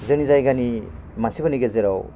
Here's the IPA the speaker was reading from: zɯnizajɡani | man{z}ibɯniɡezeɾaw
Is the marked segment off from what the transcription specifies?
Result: yes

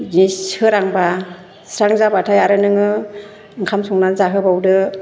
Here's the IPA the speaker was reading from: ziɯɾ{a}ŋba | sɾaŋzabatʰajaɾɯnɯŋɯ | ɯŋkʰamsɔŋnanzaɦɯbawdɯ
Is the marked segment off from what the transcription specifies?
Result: no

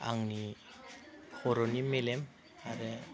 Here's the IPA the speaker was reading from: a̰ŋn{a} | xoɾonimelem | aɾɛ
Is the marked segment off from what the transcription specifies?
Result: yes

